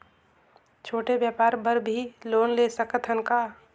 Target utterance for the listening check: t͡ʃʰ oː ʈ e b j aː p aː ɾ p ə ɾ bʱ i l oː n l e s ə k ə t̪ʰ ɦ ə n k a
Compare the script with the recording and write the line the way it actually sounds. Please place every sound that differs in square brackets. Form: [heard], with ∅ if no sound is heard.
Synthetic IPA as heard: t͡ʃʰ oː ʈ e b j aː p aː ɾ [b] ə ɾ bʱ i l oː n l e s ə k ə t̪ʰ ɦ ə n k a